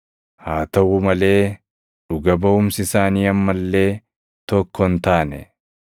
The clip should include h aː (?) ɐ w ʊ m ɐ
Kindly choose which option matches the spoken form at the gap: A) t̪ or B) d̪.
A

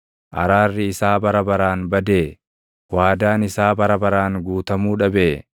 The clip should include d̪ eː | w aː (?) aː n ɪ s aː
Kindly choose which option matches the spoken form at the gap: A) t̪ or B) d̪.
B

